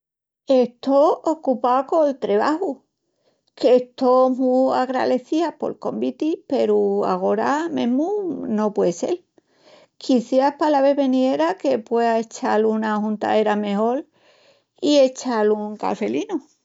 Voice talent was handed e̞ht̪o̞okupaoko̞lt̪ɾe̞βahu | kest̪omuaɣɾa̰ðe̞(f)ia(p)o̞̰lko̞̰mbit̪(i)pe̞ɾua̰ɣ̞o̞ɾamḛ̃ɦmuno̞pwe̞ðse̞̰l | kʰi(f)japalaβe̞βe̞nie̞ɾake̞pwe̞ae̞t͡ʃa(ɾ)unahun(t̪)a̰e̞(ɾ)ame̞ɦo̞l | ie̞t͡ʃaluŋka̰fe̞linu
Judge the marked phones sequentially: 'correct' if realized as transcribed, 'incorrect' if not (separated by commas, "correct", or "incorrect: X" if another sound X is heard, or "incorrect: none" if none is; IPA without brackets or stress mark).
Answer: incorrect: θ, correct, correct, incorrect: θ, incorrect: l, correct, correct